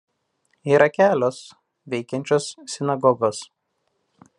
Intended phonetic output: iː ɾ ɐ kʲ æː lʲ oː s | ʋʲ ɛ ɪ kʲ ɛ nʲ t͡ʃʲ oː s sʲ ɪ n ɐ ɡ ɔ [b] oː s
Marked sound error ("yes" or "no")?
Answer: yes